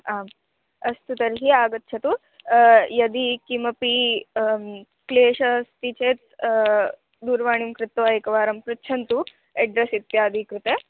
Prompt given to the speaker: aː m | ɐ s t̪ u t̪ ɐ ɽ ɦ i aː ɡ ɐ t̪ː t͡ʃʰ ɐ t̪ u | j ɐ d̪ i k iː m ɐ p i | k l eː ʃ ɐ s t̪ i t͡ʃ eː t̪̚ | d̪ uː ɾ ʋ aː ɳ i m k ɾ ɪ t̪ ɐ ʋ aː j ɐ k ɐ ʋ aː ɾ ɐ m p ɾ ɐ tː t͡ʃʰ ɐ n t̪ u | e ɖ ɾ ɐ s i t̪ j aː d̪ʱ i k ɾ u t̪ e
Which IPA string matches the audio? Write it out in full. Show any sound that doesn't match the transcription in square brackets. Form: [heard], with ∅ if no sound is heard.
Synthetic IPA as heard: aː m | ɐ s t̪ u t̪ ɐ [ɾ] ɦ i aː ɡ ɐ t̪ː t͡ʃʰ ɐ t̪ u | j ɐ d̪ i k [i] m ɐ p i | k l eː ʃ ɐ s t̪ i t͡ʃ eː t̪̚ | d̪ uː ɾ ʋ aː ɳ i m k ɾ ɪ t̪ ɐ ʋ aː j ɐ k ɐ ʋ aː ɾ ɐ m p ɾ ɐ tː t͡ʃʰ ɐ n t̪ u | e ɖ ɾ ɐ s i t̪ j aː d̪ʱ i k ɾ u t̪ e